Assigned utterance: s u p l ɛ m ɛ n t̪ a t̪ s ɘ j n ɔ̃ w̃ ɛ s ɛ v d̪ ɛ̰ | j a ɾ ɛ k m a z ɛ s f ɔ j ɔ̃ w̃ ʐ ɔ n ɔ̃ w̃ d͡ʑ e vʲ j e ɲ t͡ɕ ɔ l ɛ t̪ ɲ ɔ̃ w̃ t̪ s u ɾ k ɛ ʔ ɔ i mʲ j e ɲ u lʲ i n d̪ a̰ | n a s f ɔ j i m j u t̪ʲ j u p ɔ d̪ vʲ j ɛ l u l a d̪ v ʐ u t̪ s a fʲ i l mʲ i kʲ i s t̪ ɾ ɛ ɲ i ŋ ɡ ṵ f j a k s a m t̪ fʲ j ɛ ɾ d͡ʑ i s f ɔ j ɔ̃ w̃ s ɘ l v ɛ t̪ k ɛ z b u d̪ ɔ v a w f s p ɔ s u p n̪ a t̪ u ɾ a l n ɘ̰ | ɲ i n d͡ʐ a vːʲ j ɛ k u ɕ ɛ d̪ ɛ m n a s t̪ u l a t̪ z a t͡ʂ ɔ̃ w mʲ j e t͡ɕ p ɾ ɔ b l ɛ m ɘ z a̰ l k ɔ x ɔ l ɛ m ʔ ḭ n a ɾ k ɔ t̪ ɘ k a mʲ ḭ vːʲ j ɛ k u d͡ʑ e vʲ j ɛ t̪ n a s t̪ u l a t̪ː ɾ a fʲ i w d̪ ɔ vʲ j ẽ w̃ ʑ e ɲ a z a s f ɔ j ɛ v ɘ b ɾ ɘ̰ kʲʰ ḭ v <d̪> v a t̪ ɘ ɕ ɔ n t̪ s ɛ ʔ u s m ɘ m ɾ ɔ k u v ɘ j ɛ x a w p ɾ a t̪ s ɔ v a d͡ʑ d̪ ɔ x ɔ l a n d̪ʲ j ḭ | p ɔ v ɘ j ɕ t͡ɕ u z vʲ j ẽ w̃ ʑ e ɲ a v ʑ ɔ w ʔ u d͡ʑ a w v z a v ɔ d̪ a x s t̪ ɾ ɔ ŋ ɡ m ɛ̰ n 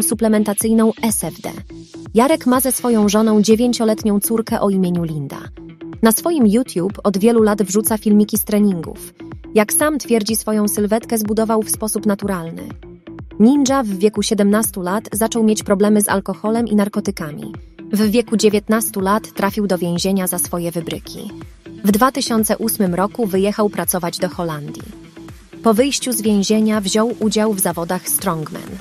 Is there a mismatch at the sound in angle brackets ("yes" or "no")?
no